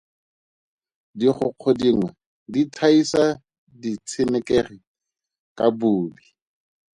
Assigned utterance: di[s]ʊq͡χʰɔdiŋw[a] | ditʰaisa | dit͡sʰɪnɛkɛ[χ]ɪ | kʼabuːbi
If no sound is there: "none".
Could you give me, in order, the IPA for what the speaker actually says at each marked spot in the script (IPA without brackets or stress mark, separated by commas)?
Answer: χ, ɛ, χ